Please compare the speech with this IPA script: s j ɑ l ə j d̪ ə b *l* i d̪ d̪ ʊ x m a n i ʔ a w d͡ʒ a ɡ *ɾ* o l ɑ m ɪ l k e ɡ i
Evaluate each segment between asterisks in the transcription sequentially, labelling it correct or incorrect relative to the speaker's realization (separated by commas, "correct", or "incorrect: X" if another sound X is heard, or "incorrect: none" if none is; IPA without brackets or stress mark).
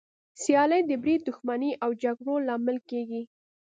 incorrect: ɾ, incorrect: ɽ